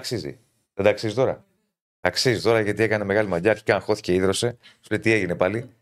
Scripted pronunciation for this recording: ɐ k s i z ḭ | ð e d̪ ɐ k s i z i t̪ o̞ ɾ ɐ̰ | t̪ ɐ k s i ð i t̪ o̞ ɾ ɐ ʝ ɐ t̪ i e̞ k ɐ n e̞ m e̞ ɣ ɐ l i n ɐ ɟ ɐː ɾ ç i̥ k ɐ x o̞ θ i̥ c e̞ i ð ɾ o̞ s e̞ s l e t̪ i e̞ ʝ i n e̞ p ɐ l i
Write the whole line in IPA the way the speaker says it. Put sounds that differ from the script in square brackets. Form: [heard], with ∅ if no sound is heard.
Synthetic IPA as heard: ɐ k s i z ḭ | ð e d̪ ɐ k s i z i t̪ o̞ ɾ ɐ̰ | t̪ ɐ k s i [z] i t̪ o̞ ɾ ɐ ʝ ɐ t̪ i e̞ k ɐ n e̞ m e̞ ɣ ɐ l i [m] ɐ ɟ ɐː ɾ ç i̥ k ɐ x o̞ θ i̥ c e̞ i ð ɾ o̞ s e̞ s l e t̪ i e̞ ʝ i n e̞ p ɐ l i